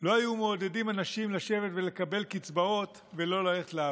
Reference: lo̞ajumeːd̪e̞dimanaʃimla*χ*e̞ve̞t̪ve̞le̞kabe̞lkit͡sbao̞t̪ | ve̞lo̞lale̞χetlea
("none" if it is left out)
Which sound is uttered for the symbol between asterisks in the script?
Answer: ʃ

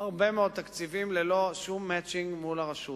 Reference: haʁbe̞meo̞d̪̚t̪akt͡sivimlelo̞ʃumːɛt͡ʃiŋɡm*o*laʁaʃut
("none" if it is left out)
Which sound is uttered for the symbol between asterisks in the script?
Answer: u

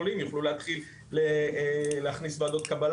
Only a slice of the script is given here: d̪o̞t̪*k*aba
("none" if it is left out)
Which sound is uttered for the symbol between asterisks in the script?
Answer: k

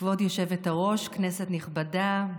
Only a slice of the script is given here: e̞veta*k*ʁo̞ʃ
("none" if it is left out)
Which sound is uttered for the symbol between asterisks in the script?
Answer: none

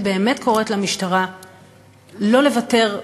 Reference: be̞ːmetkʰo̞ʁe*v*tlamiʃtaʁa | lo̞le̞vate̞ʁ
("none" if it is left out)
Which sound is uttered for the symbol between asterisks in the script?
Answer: none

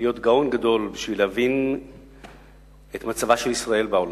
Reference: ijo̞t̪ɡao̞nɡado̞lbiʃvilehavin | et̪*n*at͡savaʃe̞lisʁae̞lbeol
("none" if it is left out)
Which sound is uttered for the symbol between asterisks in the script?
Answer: m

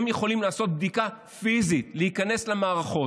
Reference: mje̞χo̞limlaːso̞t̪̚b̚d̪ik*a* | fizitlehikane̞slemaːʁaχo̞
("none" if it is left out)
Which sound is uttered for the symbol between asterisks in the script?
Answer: a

